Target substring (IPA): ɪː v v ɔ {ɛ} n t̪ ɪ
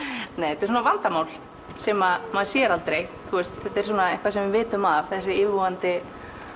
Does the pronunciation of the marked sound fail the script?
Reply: yes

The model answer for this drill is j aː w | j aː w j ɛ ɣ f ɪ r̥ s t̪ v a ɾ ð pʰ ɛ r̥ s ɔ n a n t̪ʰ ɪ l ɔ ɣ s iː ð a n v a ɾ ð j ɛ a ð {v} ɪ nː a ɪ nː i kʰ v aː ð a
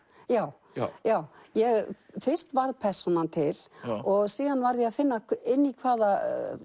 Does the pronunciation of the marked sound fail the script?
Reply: yes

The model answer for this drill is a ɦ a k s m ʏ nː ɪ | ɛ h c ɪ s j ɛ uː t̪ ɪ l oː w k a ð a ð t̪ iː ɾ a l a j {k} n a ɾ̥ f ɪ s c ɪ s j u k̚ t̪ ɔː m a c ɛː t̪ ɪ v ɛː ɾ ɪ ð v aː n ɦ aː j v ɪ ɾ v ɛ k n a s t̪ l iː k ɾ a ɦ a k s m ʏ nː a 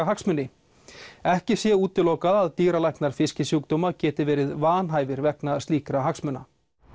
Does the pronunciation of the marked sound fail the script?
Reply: no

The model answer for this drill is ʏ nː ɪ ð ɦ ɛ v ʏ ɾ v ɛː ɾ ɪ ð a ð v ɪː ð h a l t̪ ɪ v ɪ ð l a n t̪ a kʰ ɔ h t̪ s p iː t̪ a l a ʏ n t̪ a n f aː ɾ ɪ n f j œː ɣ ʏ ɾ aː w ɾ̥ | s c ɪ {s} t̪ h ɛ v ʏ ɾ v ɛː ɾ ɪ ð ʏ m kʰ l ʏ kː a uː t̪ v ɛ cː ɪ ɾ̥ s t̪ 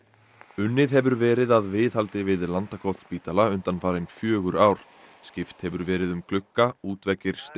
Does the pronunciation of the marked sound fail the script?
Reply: yes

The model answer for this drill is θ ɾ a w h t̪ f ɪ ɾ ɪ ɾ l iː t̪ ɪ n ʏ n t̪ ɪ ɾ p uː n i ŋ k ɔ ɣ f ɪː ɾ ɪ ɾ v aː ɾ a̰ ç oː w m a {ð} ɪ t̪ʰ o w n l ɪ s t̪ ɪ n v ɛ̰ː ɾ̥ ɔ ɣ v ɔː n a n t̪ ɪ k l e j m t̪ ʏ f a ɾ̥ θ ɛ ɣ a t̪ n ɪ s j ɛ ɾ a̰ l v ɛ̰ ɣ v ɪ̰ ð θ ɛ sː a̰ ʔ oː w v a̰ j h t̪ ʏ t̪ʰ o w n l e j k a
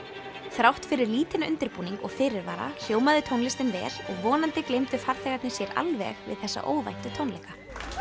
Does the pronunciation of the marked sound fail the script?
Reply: no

